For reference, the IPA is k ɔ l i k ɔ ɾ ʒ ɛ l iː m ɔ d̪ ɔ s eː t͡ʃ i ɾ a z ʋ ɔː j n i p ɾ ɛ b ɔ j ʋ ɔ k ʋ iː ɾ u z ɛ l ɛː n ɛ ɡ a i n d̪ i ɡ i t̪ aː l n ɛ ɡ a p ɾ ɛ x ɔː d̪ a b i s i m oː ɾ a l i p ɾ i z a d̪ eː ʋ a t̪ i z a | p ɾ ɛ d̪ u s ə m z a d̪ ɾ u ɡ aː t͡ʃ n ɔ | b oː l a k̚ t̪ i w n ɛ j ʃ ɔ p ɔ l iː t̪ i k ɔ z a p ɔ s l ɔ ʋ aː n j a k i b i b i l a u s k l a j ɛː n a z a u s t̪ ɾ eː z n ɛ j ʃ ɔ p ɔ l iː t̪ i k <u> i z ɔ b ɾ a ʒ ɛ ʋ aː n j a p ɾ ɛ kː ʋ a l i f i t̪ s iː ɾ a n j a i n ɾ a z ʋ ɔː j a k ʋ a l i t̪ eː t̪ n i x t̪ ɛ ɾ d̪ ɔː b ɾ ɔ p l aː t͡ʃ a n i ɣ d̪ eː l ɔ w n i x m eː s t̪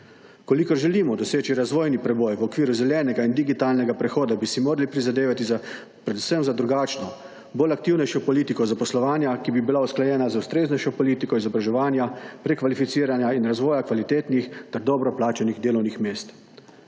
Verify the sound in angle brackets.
incorrect: ɔ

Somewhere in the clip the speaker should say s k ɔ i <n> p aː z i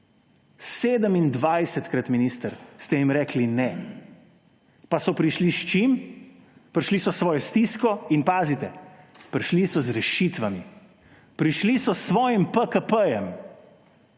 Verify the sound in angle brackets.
correct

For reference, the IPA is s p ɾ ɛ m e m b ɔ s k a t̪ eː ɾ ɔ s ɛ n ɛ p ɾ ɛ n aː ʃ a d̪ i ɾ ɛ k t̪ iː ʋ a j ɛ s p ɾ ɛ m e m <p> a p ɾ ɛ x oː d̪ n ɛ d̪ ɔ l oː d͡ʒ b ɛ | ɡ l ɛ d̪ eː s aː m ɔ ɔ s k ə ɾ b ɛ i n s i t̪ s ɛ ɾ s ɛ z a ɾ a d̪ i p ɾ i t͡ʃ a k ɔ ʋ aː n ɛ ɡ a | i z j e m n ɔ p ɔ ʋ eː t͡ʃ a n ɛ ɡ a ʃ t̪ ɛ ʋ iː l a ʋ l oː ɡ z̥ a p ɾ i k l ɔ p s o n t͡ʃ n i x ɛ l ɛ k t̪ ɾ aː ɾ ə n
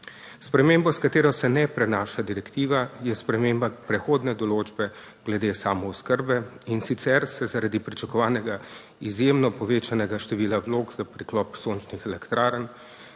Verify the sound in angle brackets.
incorrect: b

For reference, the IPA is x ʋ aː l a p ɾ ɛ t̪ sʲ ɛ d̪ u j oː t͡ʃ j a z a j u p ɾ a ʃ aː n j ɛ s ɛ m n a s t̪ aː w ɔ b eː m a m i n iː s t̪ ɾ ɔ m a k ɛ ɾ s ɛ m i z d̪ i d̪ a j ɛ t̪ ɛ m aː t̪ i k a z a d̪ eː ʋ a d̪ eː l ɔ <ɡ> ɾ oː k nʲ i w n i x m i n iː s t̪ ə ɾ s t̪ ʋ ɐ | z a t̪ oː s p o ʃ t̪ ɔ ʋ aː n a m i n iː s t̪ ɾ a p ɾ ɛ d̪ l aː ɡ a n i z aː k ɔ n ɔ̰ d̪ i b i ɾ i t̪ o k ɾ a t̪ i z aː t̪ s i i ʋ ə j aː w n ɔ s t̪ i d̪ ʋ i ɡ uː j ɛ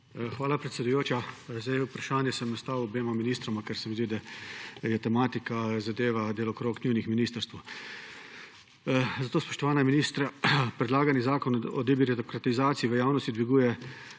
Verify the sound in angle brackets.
incorrect: k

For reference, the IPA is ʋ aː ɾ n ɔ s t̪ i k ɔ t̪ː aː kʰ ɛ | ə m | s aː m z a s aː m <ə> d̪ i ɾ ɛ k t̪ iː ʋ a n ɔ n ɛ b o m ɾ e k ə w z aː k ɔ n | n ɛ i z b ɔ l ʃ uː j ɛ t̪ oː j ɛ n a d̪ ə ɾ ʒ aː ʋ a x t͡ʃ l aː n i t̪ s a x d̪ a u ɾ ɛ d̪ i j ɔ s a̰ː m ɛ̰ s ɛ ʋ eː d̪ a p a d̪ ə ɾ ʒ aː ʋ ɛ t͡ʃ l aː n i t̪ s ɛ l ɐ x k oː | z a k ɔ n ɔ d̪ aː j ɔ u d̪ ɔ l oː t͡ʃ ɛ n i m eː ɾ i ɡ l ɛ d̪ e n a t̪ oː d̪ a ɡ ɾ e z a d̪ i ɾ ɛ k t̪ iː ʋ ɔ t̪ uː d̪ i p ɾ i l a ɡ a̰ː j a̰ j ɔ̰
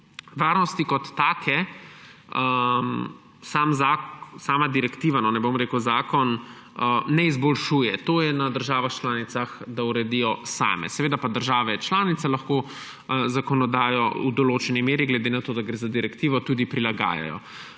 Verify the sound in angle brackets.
incorrect: a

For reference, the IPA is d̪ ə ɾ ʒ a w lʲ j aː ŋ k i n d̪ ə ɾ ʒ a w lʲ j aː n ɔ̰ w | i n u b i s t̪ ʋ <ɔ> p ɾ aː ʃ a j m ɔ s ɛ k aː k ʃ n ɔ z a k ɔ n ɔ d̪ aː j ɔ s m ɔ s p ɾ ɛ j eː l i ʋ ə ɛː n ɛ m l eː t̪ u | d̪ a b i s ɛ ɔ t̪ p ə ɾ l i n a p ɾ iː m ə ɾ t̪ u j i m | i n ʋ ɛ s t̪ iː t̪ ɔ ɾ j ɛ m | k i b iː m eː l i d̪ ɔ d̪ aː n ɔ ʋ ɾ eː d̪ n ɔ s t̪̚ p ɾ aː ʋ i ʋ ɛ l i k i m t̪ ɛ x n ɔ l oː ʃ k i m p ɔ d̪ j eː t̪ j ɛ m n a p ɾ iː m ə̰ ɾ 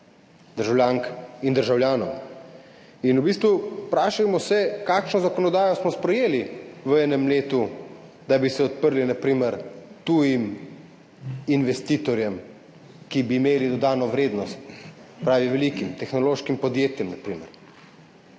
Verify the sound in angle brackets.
incorrect: u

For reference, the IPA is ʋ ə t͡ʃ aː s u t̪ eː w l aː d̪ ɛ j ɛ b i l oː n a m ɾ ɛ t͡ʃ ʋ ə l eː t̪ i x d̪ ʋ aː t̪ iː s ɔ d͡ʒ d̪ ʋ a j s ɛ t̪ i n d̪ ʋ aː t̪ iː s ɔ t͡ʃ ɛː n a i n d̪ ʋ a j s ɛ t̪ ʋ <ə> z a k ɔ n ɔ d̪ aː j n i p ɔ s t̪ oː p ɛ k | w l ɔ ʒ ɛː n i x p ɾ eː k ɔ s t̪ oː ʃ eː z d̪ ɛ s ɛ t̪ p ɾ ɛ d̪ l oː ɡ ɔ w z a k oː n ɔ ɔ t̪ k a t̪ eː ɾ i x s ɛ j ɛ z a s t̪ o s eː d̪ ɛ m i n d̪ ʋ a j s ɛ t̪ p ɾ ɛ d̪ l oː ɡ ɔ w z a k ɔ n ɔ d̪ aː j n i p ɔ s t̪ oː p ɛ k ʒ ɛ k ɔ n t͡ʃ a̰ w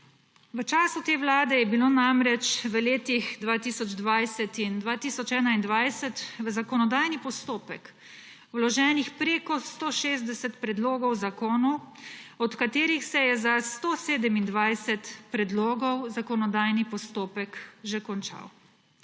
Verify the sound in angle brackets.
correct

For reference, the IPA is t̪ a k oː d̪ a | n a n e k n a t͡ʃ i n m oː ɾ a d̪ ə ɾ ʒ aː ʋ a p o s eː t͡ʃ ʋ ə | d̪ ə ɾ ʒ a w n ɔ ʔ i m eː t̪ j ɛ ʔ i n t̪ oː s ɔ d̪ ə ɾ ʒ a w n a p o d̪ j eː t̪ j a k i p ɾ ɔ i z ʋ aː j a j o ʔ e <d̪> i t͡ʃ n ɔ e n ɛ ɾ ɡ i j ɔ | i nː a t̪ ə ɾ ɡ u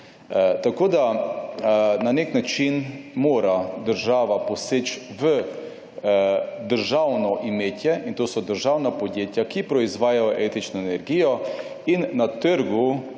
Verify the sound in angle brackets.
incorrect: t̪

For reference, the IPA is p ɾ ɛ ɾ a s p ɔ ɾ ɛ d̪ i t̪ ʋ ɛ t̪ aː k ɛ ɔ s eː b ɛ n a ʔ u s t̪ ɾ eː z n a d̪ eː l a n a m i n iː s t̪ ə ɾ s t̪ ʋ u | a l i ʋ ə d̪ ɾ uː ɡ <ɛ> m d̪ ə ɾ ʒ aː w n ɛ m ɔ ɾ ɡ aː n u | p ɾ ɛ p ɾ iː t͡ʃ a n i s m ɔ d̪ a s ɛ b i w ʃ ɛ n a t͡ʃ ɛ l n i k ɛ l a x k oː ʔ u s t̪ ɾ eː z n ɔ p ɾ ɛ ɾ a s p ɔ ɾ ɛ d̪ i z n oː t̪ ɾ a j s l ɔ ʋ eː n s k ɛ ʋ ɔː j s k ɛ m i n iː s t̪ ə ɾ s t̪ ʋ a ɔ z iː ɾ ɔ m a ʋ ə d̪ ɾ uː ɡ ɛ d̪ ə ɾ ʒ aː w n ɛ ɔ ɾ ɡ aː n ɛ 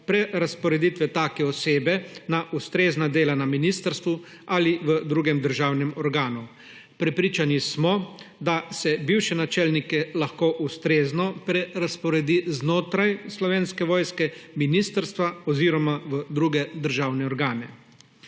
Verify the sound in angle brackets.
correct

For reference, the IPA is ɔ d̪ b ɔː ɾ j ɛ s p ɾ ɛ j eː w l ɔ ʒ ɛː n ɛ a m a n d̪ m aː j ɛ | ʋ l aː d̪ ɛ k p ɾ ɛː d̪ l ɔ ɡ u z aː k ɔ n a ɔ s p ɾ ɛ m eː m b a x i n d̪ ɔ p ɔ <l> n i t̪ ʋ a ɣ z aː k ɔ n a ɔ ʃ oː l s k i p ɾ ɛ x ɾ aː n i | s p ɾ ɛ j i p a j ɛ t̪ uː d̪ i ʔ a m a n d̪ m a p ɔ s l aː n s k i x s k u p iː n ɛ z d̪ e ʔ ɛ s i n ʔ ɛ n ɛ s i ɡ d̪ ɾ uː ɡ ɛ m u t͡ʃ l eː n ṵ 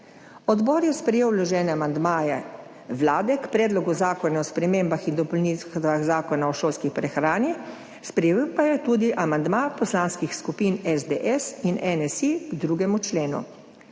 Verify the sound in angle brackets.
correct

